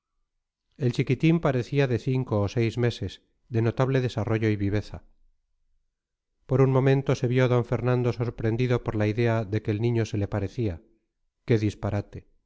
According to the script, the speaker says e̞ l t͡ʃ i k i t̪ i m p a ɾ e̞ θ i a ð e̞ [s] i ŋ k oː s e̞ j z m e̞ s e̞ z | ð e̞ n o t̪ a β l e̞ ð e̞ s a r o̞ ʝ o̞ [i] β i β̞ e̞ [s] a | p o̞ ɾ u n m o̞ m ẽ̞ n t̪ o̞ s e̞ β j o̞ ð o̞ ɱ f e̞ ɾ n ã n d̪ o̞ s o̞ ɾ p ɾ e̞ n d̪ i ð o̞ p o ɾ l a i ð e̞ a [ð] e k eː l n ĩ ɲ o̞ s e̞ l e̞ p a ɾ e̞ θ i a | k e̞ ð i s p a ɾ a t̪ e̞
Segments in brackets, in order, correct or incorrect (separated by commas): incorrect, correct, incorrect, correct